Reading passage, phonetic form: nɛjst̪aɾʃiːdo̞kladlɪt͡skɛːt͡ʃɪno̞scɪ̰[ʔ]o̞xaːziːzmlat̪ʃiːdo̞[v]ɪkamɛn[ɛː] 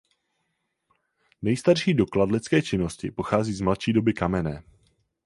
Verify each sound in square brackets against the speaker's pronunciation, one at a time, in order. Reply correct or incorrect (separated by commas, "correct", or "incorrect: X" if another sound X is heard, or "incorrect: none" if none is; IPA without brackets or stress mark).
incorrect: p, incorrect: b, correct